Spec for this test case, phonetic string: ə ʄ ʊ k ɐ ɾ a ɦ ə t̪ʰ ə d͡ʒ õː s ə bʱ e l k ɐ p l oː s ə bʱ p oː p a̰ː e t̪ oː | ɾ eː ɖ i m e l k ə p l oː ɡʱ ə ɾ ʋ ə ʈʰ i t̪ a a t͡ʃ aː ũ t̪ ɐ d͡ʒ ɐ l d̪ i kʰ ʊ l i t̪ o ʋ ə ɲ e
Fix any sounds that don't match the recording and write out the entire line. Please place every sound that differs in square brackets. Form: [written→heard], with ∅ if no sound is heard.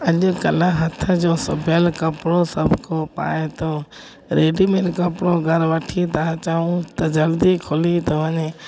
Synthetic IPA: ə ʄ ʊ k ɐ [ɾ→l] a ɦ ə t̪ʰ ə d͡ʒ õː s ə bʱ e l k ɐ p [l→ɽ] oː s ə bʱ [p→k] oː p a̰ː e t̪ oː | ɾ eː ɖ i m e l k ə p [l→ɽ] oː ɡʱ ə ɾ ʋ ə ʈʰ i t̪ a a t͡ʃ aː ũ t̪ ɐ d͡ʒ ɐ l d̪ i kʰ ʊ l i t̪ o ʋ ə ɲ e